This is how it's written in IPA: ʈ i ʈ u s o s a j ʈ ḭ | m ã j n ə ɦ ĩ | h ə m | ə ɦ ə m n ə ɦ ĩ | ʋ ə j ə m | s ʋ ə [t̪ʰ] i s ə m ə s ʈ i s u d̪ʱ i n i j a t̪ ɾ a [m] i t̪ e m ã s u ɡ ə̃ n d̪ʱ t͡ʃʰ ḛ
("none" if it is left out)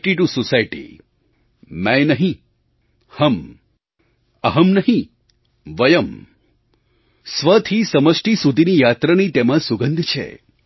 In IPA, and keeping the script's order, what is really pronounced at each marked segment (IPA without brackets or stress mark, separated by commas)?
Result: t̪ʰ, n